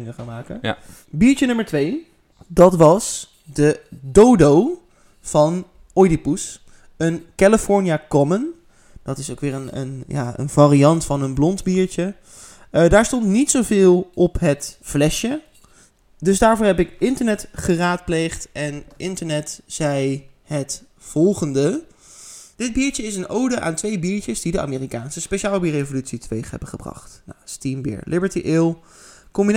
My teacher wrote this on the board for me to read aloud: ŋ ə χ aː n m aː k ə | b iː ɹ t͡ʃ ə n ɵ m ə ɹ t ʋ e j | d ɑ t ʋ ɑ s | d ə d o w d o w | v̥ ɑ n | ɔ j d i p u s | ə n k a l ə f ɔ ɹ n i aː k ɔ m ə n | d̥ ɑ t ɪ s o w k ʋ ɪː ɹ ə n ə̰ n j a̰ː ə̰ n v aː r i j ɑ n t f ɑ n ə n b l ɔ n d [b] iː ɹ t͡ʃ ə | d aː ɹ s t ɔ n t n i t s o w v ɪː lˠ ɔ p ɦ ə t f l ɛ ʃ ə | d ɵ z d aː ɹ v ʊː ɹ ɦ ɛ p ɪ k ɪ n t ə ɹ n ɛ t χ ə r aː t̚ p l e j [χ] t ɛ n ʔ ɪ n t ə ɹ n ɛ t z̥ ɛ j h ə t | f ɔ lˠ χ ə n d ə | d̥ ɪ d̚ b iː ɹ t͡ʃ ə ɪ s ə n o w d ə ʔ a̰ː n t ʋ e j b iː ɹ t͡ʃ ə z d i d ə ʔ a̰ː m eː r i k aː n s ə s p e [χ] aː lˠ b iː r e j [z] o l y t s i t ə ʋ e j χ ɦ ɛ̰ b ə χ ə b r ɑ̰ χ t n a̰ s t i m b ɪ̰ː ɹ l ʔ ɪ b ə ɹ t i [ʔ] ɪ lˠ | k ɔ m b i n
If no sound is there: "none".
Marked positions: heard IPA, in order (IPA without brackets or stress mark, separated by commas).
b, χ, ʃ, v, ʔ